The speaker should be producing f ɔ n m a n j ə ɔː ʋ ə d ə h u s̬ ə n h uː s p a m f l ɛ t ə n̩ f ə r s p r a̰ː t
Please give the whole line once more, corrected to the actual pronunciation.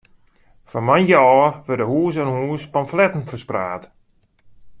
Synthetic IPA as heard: f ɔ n m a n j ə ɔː ʋ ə d ə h uː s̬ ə n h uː s p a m f l ɛ t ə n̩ f ə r s p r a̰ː t